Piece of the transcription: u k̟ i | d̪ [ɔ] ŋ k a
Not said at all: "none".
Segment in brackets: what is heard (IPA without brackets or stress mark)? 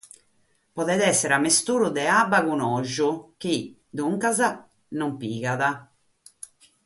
u